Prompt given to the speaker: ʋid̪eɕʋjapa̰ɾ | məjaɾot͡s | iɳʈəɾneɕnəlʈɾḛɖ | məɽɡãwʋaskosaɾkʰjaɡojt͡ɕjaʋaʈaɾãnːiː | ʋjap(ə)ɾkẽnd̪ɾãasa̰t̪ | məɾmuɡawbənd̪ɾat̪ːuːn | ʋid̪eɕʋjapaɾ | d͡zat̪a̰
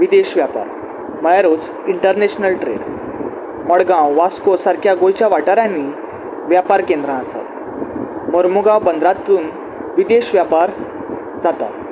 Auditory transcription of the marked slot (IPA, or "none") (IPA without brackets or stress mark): a